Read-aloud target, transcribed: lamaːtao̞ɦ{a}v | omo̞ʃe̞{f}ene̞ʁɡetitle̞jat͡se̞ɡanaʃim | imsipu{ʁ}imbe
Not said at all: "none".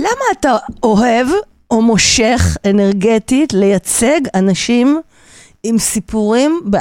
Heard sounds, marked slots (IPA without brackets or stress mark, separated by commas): e, χ, ʁ